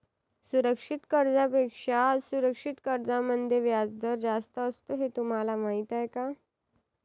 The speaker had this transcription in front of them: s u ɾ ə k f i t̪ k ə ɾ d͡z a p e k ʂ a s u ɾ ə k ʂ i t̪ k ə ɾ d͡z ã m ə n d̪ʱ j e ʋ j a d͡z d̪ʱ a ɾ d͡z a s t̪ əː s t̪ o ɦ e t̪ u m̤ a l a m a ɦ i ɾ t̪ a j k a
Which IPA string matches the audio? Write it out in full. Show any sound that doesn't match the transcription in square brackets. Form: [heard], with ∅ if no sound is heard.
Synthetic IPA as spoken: s u ɾ ə k [ʂ] i t̪ k ə ɾ d͡z a p e k ʂ a s u ɾ ə k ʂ i t̪ k ə ɾ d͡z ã m ə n d̪ʱ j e ʋ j a d͡z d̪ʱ [ə] ɾ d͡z a s t̪ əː s t̪ o ɦ e t̪ u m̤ a l a m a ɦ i [∅] t̪ a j k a